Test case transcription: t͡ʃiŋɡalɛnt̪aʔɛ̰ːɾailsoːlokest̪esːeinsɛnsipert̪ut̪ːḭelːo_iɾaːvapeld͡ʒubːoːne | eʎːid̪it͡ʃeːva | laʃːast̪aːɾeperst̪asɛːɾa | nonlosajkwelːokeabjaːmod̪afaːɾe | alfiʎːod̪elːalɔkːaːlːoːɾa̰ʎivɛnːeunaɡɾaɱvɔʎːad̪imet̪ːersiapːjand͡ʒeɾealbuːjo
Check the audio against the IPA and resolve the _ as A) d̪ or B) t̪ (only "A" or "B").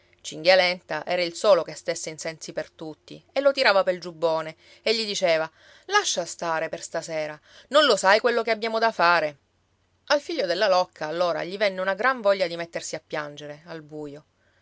B